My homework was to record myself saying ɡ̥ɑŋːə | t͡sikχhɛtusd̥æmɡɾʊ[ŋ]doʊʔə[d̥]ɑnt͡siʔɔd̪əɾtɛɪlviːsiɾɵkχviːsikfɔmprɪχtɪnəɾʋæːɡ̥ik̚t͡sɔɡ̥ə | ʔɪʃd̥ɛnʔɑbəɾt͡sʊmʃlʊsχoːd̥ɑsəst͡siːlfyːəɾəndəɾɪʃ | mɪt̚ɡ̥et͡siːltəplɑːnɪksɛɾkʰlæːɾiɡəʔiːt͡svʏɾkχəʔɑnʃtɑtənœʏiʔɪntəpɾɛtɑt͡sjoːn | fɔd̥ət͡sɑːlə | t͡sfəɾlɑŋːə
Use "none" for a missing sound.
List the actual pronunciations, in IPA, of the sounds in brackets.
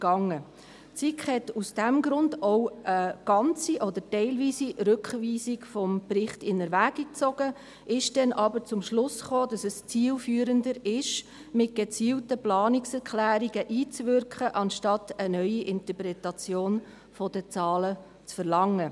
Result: n, ɡ̥

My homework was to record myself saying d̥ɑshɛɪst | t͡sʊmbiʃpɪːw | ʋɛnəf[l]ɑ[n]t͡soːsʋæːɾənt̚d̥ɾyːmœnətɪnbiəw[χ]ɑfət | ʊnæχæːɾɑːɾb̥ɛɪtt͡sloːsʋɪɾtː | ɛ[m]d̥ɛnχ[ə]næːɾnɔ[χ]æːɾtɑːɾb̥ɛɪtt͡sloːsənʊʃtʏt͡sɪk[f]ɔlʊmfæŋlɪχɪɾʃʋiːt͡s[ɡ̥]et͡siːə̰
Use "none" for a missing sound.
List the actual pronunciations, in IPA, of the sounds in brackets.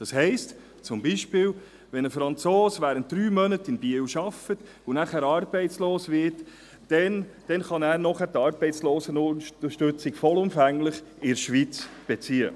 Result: ɾ, n, ʃ, n, ɑ, χ, f, b̥

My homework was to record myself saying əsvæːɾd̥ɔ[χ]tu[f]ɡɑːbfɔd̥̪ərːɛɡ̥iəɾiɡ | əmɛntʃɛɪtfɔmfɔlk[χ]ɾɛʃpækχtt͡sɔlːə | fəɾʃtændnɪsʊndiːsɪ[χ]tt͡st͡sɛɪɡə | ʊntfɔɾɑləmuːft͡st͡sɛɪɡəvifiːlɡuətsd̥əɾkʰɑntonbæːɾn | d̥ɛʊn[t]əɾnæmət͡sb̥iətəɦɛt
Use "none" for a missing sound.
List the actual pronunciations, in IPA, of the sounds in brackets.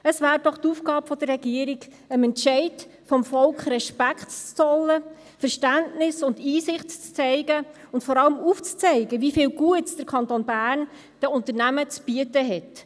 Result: χ, f, χ, χ, t

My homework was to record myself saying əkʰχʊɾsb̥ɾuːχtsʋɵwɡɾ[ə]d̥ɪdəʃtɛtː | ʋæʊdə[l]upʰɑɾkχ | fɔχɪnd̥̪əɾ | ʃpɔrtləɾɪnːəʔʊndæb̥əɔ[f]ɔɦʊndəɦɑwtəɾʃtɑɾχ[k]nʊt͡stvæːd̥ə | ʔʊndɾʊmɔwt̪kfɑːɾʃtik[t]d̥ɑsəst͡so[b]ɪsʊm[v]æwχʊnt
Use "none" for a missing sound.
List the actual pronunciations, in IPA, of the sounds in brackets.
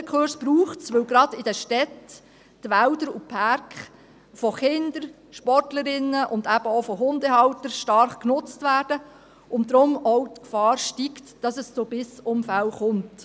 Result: ɑ, ɾ, f, k, t, b, f

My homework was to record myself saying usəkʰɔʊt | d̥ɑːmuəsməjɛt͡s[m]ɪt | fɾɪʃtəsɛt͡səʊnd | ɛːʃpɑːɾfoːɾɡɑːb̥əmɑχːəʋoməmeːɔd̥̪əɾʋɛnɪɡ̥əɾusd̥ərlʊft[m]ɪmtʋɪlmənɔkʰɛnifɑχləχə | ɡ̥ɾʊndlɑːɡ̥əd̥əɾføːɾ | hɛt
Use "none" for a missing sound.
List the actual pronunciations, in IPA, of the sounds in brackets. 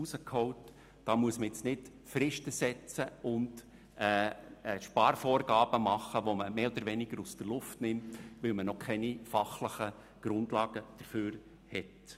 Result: n, n

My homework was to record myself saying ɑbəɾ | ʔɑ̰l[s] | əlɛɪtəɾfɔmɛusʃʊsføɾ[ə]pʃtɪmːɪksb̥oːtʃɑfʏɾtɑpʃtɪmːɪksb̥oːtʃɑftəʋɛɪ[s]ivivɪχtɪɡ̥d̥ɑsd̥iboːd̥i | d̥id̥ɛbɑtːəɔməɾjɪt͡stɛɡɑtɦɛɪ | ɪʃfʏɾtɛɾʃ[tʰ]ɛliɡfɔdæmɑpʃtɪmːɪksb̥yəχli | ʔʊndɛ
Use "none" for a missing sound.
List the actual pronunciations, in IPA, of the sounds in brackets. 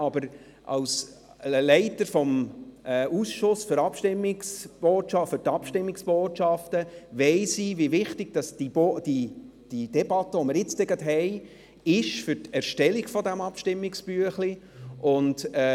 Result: s, ɑ, s, t

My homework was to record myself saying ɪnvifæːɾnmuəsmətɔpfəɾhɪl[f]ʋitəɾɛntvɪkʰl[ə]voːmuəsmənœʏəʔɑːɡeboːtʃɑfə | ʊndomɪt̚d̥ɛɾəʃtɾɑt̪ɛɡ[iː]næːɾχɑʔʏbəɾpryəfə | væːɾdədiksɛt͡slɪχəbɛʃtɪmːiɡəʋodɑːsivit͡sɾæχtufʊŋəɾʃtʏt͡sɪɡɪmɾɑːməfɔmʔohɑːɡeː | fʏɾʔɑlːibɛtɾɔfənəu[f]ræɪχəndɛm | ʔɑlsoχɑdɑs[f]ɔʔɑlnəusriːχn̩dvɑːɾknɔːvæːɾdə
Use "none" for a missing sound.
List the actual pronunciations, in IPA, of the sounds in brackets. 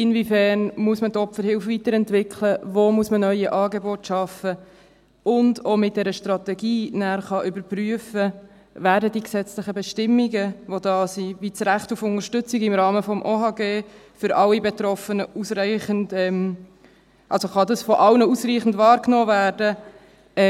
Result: f, ə, iː, s, f

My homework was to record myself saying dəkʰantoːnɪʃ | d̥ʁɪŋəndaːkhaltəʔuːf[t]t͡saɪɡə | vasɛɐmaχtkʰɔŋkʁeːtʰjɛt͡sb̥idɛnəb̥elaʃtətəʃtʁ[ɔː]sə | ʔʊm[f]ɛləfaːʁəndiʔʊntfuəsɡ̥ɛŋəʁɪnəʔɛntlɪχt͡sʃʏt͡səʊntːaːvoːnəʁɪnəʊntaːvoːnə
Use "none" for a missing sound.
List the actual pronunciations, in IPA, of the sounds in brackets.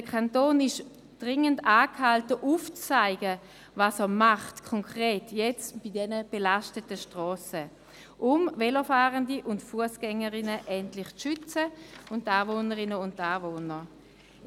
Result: t͡s, ɔː, v

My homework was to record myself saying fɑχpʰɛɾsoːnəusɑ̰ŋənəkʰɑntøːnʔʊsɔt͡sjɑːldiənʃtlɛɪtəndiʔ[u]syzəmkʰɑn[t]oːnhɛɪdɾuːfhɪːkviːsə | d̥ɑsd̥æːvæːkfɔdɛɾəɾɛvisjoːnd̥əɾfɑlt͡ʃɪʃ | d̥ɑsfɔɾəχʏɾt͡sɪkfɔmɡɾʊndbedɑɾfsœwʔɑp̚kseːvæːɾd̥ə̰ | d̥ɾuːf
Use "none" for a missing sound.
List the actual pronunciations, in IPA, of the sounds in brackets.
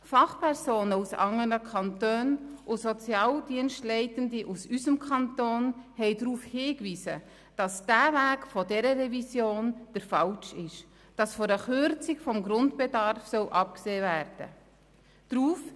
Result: u, t

